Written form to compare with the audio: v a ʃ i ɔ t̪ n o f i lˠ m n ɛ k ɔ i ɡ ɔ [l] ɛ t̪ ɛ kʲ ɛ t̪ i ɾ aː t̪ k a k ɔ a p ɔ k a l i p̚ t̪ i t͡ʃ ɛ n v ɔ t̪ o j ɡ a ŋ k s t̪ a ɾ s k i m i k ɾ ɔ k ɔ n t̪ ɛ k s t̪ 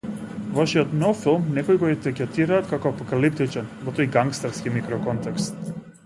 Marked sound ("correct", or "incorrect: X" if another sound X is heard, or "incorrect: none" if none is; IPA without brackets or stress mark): incorrect: none